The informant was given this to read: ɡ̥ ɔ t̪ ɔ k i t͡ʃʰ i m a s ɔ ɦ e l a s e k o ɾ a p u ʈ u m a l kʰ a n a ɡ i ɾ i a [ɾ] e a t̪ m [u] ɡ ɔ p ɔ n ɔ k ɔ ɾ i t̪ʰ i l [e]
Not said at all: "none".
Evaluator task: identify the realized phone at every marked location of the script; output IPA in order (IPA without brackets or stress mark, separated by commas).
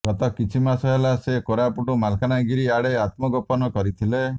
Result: ɽ, ɔ, e